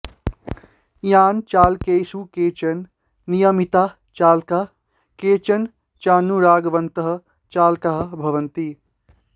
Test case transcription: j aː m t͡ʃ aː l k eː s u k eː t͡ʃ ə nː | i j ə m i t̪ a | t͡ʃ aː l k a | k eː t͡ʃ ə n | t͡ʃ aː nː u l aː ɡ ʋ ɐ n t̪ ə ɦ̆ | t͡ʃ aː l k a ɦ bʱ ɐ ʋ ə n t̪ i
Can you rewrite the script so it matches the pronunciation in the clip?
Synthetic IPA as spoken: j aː n t͡ʃ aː l k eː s u k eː t͡ʃ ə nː | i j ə m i t̪ a | t͡ʃ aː l k a | k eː t͡ʃ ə n | t͡ʃ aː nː u ɾ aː ɡ ʋ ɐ n t̪ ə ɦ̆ | t͡ʃ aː l k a ɦ bʱ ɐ ʋ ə n t̪ i